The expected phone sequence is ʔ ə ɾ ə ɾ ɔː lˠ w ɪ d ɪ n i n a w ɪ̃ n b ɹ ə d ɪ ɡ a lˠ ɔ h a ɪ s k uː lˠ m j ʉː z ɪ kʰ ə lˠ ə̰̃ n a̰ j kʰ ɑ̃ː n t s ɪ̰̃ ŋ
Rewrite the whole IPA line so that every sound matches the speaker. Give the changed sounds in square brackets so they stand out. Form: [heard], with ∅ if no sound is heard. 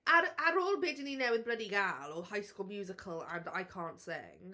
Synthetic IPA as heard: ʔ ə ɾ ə ɾ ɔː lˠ [b] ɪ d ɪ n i n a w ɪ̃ n b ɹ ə d [i] ɡ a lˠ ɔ h a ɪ s k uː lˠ m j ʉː z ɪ kʰ ə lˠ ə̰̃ n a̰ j kʰ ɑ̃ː n t s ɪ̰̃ ŋ